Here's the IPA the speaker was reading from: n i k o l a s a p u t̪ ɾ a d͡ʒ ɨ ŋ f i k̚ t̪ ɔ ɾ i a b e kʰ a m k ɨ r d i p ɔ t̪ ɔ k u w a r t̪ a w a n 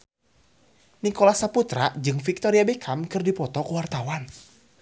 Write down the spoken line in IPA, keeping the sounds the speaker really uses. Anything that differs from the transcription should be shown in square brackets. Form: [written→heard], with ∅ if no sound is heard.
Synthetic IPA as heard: n i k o l a s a p u t̪ ɾ a d͡ʒ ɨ ŋ f i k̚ t̪ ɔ ɾ i a b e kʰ a m k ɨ r d i p ɔ t̪ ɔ k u w a r t̪ a w a n